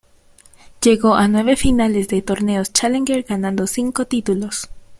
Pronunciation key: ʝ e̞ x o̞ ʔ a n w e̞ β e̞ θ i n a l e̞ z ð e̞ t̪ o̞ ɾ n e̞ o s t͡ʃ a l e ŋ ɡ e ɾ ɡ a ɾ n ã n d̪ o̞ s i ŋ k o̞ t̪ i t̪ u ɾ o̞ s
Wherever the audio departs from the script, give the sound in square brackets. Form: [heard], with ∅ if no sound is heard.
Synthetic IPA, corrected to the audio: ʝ e̞ [ɣ] o̞ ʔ a n w e̞ β e̞ [f] i n a l e̞ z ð e̞ t̪ o̞ ɾ n e̞ o s t͡ʃ a l e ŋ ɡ e ɾ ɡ a [∅] n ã n d̪ o̞ s i ŋ k o̞ t̪ i t̪ u [l] o̞ s